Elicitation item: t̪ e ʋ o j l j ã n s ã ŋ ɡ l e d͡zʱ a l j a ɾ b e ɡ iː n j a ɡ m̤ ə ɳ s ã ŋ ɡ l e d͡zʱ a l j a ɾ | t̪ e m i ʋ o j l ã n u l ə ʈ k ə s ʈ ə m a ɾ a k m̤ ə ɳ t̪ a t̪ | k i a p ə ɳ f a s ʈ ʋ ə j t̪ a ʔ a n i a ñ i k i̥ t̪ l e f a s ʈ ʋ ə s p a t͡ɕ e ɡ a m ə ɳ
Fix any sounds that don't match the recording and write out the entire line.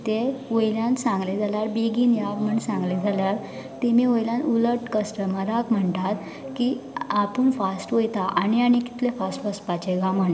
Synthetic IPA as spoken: t̪ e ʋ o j l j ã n s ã ŋ ɡ l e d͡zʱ a l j a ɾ b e ɡ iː n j a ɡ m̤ ə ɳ s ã ŋ ɡ l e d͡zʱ a l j a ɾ | t̪ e m i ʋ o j l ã n u l ə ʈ k ə s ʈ ə m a ɾ a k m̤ ə ɳ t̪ a t̪ | k i a p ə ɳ f a s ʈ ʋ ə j t̪ a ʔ a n i a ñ i k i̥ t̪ l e f a s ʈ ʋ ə s p a t͡ɕ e ɡ a m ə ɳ